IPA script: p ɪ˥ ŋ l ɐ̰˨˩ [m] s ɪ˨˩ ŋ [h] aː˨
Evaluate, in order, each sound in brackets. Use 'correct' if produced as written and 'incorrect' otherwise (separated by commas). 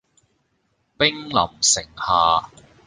correct, correct